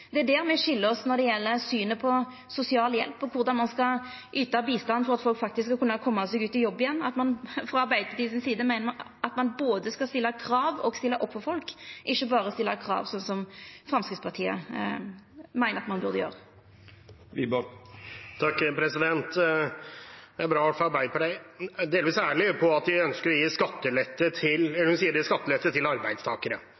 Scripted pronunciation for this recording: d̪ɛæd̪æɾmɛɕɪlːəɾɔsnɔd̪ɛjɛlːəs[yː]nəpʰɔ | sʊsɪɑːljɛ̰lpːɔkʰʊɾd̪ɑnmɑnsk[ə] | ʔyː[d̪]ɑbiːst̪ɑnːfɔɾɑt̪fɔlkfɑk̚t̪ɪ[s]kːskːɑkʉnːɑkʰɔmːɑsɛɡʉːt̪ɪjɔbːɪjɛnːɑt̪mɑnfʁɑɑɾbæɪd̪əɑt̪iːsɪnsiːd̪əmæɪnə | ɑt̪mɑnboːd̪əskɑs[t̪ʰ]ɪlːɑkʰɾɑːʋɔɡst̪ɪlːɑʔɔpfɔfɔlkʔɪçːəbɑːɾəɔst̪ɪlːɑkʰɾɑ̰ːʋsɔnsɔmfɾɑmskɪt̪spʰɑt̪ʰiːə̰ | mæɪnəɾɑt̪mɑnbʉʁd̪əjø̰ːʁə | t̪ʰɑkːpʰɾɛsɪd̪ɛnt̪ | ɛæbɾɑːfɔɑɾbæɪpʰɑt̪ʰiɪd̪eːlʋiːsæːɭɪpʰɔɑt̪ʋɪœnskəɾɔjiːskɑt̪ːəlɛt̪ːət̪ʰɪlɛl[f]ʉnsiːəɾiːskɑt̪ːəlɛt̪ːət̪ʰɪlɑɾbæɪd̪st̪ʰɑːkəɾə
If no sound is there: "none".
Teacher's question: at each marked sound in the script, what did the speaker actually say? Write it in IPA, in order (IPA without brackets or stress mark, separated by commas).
yː, ɑ, t̪, s, t̪, h